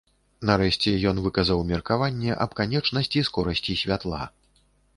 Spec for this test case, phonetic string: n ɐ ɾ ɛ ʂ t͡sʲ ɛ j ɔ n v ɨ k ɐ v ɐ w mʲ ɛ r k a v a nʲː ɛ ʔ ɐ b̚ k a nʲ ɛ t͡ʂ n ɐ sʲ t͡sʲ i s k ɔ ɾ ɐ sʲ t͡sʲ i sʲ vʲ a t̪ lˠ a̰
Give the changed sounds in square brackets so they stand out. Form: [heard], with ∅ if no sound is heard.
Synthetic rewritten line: n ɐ ɾ ɛ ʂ t͡sʲ ɛ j ɔ n v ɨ k ɐ [z] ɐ w mʲ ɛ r k a v a nʲː ɛ ʔ ɐ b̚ k a nʲ ɛ t͡ʂ n ɐ sʲ t͡sʲ i s k ɔ ɾ ɐ sʲ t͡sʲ i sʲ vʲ a t̪ lˠ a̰